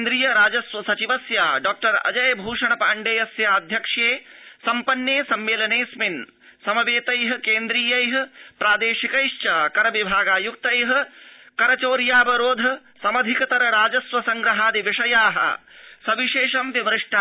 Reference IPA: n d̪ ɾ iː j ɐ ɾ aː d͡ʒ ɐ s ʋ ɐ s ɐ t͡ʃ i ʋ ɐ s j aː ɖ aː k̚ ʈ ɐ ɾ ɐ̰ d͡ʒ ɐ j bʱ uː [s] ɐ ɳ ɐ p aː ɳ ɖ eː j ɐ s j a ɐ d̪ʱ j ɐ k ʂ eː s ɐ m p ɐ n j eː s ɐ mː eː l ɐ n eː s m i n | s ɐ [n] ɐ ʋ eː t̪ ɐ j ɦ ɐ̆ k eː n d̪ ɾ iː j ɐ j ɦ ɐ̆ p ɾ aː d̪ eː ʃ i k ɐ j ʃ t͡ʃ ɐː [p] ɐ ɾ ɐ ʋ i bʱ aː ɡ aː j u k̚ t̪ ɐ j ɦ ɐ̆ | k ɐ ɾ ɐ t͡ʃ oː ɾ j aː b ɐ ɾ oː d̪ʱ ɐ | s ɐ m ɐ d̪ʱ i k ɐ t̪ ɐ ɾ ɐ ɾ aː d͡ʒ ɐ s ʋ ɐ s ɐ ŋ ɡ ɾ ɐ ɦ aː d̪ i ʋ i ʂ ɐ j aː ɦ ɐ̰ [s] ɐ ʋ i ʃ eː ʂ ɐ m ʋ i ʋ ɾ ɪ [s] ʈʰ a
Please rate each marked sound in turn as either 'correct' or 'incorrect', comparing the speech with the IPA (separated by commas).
incorrect, incorrect, incorrect, correct, incorrect